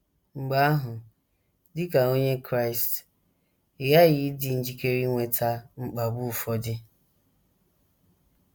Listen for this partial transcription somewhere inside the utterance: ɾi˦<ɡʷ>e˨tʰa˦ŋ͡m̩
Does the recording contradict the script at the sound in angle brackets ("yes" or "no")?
yes